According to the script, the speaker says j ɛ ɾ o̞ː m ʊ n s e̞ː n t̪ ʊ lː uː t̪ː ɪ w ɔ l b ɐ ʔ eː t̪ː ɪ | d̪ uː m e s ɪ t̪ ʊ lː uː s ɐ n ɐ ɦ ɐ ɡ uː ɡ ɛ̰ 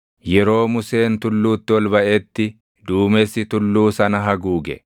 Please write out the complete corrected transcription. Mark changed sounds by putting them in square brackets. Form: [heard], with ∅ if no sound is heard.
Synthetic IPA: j ɛ ɾ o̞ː m ʊ [∅] s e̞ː n t̪ ʊ lː uː t̪ː ɪ w ɔ l b ɐ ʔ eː t̪ː ɪ | d̪ uː m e s ɪ t̪ ʊ lː uː s ɐ n ɐ ɦ ɐ ɡ uː ɡ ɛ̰